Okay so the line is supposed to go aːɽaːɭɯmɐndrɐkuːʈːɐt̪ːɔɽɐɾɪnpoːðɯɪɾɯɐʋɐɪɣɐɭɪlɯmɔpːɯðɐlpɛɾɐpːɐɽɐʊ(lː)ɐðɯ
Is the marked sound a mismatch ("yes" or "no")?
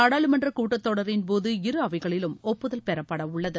yes